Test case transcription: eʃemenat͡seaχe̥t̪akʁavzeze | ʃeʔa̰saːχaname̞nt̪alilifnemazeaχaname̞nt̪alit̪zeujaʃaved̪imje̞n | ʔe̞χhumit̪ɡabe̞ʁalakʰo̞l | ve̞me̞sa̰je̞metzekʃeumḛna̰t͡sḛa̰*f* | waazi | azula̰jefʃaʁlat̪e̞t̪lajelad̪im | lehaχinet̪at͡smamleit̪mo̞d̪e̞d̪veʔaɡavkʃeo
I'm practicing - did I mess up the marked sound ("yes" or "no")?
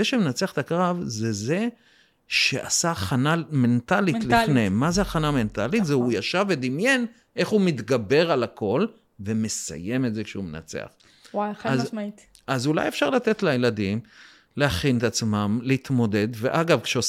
yes